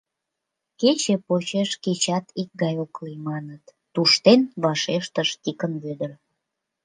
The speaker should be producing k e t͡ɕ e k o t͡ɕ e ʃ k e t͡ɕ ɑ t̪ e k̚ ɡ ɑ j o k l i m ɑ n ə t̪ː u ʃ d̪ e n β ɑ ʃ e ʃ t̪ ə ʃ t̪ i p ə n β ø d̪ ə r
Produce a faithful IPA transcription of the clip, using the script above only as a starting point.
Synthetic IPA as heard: k e t͡ɕ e p o t͡ɕ e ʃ k e t͡ɕ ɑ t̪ i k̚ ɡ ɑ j o k l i m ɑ n ə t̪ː u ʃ t̪ e n β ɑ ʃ e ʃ t̪ ə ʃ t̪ i k ə n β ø d̪ ə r